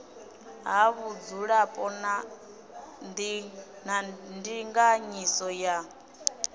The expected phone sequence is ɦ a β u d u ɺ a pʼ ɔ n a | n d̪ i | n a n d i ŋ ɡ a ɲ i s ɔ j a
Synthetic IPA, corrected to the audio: ɦ a β u d͡z u ɺ a pʼ ɔ n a | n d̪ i | n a n d i ŋ ɡ a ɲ i s ɔ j a